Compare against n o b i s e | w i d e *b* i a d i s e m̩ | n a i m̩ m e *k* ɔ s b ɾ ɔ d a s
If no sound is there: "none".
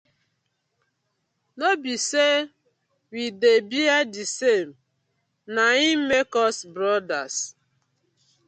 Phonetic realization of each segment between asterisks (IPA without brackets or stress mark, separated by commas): b, k